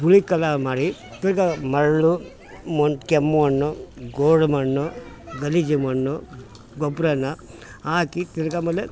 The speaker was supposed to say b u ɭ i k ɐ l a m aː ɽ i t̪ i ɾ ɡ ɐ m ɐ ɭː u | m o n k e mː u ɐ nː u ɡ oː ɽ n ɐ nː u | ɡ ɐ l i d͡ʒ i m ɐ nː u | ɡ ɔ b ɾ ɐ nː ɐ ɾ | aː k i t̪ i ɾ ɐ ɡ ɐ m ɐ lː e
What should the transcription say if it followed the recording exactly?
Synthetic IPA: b u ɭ i k ɐ l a m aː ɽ i t̪ i ɾ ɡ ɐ m ɐ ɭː u | m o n k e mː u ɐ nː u ɡ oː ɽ m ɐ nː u | ɡ ɐ l i d͡ʒ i m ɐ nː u | ɡ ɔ b ɾ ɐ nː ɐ | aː k i t̪ i ɾ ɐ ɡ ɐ m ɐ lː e

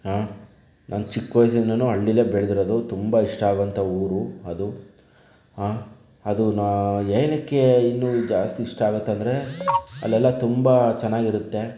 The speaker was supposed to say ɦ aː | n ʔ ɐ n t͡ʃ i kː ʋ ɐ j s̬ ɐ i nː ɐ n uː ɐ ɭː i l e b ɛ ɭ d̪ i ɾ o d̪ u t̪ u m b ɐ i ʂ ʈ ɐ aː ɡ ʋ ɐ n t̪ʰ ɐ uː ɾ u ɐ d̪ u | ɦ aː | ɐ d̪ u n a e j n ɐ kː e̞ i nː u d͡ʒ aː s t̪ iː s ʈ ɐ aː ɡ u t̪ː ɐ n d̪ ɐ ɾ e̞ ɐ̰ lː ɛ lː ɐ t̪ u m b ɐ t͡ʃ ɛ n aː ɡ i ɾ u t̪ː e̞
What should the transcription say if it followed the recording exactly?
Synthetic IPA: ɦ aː | n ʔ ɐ n t͡ʃ i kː ʋ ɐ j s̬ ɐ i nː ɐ n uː ɐ ɭː i l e b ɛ ɭ d̪ i ɾ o d̪ u t̪ u m b ɐ i ʂ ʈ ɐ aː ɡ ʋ ɐ n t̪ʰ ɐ uː ɾ u ɐ d̪ u | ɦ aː | ɐ d̪ u n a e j n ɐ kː e̞ i nː u d͡ʒ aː s t̪ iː ʂ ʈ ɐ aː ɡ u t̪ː ɐ n d̪ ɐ ɾ e̞ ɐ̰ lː ɛ lː ɐ t̪ u m b ɐ t͡ʃ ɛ nː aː ɡ i ɾ u t̪ː e̞

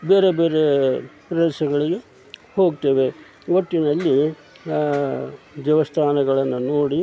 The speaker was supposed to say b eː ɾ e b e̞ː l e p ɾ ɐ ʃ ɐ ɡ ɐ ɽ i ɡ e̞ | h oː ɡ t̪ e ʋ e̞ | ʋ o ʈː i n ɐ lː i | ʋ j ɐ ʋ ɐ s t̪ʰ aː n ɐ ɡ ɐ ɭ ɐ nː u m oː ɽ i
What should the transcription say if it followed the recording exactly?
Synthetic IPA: b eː ɾ e b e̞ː ɾ e p ɾ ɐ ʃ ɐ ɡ ɐ ɭ i ɡ e̞ | h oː ɡ t̪ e ʋ e̞ | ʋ o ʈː i n ɐ lː i | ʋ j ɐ ʋ ɐ s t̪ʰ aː n ɐ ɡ ɐ ɭ ɐ nː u n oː ɽ i

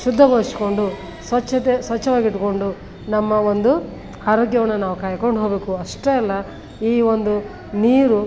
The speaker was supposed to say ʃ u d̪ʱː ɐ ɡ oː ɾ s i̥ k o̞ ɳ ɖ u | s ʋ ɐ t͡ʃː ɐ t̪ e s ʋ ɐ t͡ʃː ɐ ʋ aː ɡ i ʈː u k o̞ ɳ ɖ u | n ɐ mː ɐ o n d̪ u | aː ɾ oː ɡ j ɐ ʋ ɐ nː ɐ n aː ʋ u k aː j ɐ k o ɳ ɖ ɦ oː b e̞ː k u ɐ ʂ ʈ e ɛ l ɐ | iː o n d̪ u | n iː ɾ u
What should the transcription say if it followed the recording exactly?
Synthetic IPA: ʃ u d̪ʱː ɐ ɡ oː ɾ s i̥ k o̞ ɳ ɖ u | s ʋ ɐ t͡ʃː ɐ t̪ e s ʋ ɐ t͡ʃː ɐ ʋ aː ɡ i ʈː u k o̞ ɳ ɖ u | n ɐ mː ɐ o n d̪ u | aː ɾ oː ɡ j ɐ ʋ ɐ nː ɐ n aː ʋ u k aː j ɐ k o ɳ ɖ ɦ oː b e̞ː k u ɐ ʂ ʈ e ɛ lː ɐ | iː o n d̪ u | n iː ɾ u

